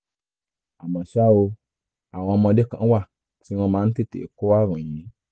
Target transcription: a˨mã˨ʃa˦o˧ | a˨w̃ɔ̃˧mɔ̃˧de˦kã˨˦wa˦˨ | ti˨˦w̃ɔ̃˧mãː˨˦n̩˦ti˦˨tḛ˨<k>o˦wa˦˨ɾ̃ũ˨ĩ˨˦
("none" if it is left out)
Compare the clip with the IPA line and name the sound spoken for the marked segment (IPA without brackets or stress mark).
k